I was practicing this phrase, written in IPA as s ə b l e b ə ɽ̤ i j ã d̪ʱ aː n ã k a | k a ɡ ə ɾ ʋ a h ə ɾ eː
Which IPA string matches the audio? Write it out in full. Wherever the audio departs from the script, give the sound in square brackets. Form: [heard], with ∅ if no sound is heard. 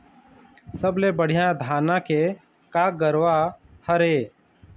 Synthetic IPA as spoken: s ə b l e b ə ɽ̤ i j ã d̪ʱ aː n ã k [e] | k a ɡ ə ɾ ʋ a h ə ɾ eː